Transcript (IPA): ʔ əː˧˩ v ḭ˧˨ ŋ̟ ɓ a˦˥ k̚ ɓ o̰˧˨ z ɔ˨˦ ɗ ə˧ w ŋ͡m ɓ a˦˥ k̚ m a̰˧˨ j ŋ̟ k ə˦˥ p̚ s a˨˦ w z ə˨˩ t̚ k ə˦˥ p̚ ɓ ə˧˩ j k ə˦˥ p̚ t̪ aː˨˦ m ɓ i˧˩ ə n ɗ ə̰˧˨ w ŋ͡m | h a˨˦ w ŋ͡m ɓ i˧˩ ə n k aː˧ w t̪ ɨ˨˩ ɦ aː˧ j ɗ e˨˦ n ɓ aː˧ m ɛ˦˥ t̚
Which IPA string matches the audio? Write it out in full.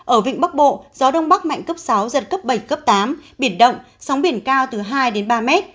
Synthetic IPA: ʔ əː˧˩ v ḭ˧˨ ŋ̟ ɓ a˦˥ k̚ ɓ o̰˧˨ z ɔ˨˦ ɗ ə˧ w ŋ͡m ɓ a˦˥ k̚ m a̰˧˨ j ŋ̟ k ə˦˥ p̚ s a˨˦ w z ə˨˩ t̚ k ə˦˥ p̚ ɓ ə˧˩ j k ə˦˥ p̚ t̪ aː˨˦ m ɓ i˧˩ ə n ɗ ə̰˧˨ w ŋ͡m | s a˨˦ w ŋ͡m ɓ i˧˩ ə n k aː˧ w t̪ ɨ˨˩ ɦ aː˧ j ɗ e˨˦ n ɓ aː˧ m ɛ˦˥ t̚

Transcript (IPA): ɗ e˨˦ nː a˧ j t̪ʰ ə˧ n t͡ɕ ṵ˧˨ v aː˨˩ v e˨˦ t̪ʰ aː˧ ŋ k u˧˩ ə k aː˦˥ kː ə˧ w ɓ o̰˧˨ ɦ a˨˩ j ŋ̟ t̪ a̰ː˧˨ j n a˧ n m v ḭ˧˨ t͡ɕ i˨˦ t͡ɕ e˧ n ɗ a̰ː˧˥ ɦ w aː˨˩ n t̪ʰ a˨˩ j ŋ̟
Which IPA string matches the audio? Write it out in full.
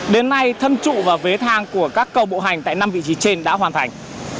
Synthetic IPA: ɗ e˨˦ nː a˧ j t̪ʰ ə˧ n t͡ɕ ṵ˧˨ v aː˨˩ v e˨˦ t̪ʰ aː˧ ŋ k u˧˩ ə k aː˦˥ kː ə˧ w ɓ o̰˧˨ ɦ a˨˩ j ŋ̟ t̪ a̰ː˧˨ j n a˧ m v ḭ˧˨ t͡ɕ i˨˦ t͡ɕ e˧ n ɗ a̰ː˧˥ ɦ w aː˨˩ n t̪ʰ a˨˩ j ŋ̟

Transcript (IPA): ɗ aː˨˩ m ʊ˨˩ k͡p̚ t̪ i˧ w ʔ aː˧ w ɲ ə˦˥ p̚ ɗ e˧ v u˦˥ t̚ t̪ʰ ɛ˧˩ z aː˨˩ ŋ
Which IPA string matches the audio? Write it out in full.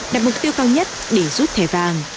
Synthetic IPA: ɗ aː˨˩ m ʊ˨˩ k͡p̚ t̪ i˧ w k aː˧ w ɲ ə˦˥ t̚ ɗ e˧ z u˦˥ t̚ t̪ʰ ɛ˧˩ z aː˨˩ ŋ

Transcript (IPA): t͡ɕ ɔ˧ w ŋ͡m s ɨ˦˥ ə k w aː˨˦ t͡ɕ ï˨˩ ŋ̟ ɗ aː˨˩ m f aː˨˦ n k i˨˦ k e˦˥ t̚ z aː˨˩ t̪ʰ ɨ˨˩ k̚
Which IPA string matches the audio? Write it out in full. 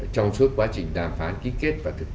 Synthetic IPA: t͡ɕ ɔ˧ w ŋ͡m s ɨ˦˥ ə k w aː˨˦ t͡ɕ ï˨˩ ŋ̟ ɗ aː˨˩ m f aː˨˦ n k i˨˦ k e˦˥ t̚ v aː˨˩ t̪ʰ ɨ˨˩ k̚

